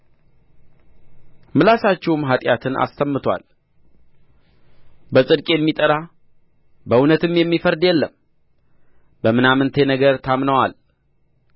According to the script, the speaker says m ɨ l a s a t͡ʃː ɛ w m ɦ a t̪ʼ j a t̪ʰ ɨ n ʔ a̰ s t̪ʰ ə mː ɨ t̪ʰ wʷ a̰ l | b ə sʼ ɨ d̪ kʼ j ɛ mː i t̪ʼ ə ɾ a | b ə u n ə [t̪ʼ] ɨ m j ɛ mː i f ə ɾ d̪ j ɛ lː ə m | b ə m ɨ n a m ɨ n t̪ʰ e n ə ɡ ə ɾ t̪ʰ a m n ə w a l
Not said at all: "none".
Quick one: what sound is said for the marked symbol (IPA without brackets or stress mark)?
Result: t̪